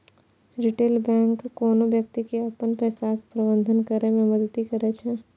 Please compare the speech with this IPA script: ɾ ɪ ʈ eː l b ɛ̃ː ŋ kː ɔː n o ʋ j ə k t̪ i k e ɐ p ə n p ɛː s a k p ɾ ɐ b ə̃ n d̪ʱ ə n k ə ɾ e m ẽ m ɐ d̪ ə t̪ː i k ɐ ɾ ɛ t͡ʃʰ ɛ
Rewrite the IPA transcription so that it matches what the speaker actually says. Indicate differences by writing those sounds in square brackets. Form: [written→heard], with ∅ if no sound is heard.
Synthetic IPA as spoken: ɾ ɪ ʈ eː l b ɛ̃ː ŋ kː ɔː n o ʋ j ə k t̪ i k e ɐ p ə n p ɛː s a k p ɾ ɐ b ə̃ n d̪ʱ ə n k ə ɾ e m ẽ m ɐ d̪ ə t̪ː i k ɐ ɾ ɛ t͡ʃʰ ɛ